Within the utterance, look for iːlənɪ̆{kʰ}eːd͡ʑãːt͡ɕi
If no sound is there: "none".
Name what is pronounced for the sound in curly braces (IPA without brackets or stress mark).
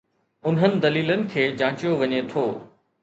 kʰ